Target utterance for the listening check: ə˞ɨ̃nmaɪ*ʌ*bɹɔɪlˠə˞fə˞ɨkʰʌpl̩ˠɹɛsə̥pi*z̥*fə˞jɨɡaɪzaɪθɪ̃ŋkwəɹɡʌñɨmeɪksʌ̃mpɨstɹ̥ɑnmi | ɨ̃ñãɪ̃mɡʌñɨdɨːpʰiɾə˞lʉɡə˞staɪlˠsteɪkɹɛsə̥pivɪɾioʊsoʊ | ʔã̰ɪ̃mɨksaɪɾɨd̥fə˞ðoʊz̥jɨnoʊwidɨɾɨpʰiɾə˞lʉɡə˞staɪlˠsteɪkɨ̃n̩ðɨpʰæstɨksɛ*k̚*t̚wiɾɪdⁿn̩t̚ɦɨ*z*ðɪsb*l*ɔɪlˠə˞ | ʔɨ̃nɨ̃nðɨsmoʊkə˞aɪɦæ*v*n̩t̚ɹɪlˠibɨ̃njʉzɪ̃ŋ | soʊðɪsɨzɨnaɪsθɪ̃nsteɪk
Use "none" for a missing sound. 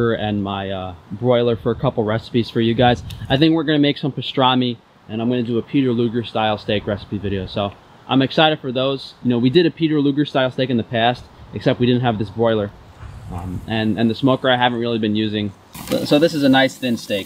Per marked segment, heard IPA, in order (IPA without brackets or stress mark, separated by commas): ʌ, z̥, p̚, v, ɹ, v